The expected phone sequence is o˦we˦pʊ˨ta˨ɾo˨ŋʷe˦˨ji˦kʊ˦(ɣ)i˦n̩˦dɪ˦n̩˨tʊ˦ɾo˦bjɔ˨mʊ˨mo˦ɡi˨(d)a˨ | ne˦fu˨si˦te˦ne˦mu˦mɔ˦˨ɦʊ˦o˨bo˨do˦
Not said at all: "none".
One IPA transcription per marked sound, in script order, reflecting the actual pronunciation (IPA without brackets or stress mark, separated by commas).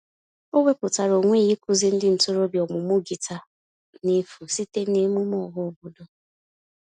z, t